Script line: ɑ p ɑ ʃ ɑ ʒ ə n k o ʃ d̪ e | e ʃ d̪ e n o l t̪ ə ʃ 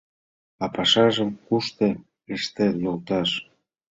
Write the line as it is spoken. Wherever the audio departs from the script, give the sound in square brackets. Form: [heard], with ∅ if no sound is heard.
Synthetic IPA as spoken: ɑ p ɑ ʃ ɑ ʒ ə [m] k [u] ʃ [t̪] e | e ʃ [t̪] e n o l t̪ [ɑ] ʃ